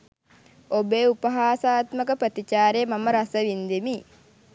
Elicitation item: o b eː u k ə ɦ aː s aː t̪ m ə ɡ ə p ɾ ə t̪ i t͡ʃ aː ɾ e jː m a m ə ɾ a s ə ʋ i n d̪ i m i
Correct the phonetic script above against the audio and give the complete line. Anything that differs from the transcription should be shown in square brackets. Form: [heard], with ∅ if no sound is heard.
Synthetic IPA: o b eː u [p] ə ɦ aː s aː t̪ m ə [k] ə p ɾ ə t̪ i t͡ʃ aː ɾ e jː m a m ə ɾ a s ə ʋ i n d̪ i m i